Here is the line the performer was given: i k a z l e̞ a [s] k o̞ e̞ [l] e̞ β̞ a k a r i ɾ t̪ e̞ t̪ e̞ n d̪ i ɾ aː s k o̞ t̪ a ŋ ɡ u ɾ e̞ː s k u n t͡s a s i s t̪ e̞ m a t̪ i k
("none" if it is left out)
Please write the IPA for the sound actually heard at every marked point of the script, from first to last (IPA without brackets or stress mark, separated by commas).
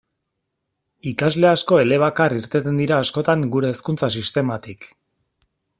s, l